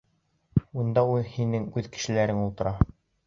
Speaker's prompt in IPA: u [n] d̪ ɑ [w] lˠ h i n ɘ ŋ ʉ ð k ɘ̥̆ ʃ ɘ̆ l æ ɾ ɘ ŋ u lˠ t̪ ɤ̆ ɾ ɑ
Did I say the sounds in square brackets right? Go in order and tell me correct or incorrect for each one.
correct, incorrect

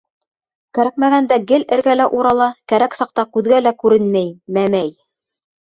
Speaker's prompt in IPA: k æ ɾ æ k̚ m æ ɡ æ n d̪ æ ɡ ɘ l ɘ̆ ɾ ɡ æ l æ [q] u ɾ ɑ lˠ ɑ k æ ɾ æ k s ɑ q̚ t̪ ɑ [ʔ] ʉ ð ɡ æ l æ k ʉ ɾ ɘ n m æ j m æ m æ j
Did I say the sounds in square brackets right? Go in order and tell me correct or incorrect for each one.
incorrect, incorrect

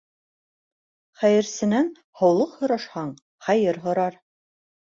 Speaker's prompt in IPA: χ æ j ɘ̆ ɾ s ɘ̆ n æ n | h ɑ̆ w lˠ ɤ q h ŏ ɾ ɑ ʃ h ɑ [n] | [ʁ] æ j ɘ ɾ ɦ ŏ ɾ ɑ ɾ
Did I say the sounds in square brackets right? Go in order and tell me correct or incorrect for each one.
incorrect, incorrect

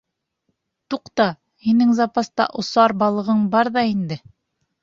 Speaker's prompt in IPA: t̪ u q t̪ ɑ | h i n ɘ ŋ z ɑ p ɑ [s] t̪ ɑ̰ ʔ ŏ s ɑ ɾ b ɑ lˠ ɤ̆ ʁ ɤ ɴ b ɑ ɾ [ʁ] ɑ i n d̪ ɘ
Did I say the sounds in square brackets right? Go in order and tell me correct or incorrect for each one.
correct, incorrect

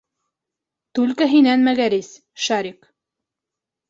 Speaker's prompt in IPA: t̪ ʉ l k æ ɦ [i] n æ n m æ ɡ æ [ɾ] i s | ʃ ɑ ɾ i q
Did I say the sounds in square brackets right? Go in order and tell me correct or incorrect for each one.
correct, correct

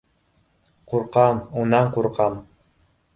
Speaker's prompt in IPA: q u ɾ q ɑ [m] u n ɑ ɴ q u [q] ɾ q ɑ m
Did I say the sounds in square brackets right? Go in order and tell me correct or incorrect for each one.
correct, incorrect

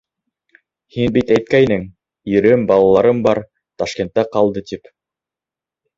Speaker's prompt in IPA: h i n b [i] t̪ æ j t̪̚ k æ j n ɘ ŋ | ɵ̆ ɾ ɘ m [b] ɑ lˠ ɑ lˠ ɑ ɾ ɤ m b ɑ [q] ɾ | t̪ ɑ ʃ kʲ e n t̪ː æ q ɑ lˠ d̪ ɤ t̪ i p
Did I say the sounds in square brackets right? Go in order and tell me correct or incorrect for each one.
correct, correct, incorrect

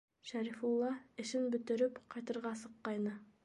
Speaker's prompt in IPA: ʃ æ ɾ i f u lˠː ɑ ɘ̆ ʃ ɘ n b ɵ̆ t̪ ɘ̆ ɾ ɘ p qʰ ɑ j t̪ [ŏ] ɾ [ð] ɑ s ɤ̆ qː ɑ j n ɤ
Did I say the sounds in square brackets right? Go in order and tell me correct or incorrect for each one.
incorrect, incorrect

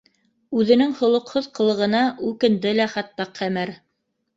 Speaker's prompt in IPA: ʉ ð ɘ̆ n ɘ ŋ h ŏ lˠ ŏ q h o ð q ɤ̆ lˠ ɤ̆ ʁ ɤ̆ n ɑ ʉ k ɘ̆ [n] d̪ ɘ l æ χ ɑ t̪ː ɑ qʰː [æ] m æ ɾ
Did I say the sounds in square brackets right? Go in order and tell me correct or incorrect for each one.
correct, correct

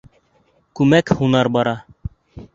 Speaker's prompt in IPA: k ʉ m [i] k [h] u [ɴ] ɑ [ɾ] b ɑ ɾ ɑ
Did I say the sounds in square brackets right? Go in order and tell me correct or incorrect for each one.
incorrect, correct, incorrect, correct

